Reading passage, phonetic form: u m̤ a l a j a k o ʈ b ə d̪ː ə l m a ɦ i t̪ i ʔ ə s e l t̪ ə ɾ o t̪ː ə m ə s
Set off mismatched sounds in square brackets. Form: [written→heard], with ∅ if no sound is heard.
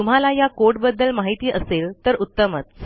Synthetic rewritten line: u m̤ a l a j a k o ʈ b ə d̪ː ə l m a ɦ i t̪ [i→iː] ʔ ə s e l t̪ ə ɾ [o→u] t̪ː ə m ə [s→t͡s]